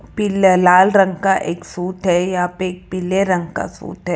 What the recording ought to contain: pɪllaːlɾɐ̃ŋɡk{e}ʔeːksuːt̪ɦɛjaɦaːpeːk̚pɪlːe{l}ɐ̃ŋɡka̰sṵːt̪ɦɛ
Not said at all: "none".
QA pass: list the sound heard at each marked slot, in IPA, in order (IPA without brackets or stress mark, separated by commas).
a, ɾ